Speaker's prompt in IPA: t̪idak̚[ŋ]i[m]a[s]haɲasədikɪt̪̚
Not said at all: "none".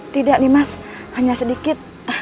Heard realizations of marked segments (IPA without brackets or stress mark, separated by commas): n, m, s